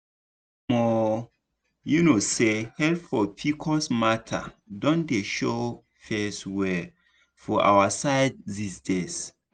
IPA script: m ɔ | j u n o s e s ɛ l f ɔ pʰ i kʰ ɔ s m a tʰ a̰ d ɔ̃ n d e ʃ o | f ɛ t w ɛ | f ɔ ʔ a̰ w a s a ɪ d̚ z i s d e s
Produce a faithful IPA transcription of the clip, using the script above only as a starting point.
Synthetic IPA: m ɔ | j u n o s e h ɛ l f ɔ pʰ i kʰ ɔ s m a tʰ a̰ d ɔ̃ n d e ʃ o | f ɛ s w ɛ | f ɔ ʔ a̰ w a s a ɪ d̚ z i s d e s